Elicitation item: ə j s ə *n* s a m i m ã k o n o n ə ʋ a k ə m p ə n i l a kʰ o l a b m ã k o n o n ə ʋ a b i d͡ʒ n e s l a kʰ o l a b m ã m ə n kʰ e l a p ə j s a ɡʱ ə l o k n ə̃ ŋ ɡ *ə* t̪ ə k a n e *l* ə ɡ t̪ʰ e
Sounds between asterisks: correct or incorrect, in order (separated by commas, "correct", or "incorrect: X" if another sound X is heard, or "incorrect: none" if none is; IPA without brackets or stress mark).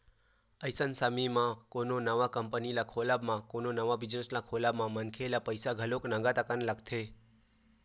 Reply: correct, incorrect: a, correct